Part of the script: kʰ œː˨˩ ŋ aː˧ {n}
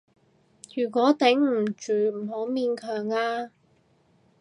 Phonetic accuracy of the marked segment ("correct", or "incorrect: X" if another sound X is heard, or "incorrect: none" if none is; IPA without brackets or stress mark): incorrect: none